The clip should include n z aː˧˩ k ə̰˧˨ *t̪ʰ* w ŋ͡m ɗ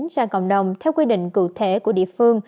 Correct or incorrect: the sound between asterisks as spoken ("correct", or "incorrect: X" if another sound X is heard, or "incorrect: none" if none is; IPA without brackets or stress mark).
incorrect: none